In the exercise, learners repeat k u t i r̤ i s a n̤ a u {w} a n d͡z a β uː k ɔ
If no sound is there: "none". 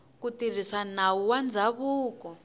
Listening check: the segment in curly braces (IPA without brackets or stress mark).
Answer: w